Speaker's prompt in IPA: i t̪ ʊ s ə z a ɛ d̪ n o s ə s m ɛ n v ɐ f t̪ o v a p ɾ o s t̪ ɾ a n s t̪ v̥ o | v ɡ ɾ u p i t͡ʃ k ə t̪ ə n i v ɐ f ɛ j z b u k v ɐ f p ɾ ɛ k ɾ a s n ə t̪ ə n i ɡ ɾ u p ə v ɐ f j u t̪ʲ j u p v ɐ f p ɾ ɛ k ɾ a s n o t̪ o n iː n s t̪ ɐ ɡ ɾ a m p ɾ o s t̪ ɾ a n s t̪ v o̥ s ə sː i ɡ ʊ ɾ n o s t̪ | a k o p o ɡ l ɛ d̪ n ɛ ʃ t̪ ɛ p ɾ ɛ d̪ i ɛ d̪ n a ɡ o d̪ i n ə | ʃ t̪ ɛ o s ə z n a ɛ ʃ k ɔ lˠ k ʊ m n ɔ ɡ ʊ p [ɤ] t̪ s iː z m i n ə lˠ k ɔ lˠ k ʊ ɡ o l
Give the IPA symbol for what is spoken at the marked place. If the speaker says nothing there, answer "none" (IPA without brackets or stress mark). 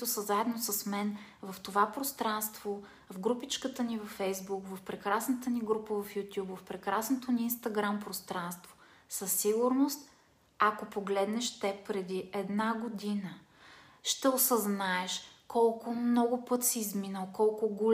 ɤ